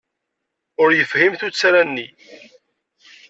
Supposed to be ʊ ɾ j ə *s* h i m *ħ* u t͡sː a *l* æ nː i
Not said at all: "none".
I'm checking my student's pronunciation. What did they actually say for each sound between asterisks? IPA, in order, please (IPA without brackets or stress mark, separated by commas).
f, θ, ɾ